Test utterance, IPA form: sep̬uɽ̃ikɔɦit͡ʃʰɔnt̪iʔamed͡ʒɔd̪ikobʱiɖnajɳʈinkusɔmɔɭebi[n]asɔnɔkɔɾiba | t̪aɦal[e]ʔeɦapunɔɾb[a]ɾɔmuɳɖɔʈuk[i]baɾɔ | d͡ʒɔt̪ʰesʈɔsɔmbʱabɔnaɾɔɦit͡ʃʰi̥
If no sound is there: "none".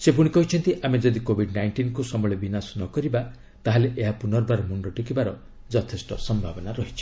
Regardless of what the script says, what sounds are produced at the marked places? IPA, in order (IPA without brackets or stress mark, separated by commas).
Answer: n, e, a, i